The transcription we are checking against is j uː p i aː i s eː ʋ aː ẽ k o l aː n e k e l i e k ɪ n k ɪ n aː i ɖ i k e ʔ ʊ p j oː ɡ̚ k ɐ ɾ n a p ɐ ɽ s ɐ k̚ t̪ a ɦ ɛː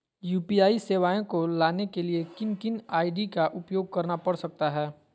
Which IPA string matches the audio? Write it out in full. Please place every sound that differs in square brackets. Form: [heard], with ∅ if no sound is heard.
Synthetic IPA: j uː p i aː i s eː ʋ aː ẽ k o l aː n e k e l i e k ɪ n k ɪ n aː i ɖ i k [a] ʔ ʊ p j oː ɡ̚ k ɐ ɾ n a p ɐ ɽ s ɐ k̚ t̪ a ɦ ɛː